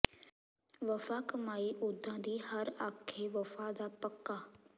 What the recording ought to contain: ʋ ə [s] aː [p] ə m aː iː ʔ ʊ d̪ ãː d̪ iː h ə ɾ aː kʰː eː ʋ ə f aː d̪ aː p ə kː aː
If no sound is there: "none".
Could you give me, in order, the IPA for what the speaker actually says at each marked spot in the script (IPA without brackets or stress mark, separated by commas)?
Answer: f, k